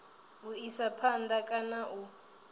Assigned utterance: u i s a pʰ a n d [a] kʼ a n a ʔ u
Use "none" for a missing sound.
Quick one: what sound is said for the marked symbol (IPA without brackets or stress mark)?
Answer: a